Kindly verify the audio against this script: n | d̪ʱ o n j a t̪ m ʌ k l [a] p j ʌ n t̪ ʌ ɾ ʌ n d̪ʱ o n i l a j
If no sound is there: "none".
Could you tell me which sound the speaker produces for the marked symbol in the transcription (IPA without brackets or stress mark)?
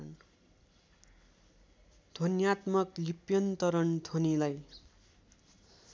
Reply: i